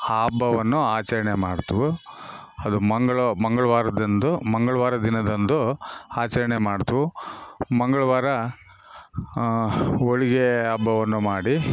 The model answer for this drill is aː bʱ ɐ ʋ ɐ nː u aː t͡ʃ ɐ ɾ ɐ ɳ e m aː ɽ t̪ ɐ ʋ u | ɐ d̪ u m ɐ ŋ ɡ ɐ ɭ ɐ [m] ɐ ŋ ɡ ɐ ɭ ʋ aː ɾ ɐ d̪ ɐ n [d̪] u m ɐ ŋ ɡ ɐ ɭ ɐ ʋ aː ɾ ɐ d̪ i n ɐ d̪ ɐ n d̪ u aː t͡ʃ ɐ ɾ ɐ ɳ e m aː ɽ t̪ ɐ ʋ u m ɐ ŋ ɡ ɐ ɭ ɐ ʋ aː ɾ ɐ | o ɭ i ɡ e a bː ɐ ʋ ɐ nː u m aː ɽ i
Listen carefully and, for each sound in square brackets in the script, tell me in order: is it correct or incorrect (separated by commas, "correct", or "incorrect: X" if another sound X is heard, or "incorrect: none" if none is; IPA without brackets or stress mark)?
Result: correct, correct